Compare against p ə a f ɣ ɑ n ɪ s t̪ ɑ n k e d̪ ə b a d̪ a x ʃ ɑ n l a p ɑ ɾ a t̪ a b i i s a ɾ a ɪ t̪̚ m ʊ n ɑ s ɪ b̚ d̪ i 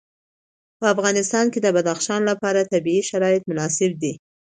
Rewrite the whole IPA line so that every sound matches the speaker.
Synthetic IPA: p ə a f ɣ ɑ n ɪ s t̪ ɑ n k e d̪ ə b a d̪ a x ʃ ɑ n l a p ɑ ɾ a t̪ a b i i ʃ a ɾ ɑ ɪ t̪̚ m ʊ n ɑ s ɪ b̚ d̪ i